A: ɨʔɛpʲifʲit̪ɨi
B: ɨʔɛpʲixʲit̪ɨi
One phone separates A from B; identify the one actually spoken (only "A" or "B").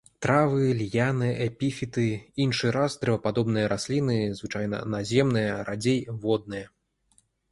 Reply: A